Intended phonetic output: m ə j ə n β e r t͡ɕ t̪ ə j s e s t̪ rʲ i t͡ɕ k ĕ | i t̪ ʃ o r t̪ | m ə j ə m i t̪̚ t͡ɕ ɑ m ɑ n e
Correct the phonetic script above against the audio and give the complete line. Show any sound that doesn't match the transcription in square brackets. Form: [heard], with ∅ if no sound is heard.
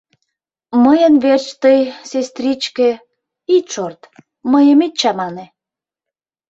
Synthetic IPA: m ə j ə n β e r t͡ɕ t̪ ə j s e s t̪ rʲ i t͡ɕ k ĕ | i t̪ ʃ o r t̪ | m ə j ə m i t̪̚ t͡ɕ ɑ m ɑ n e